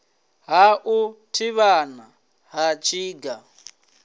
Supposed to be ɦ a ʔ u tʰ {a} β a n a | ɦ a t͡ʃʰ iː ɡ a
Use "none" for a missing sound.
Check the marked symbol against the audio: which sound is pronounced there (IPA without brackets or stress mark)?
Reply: i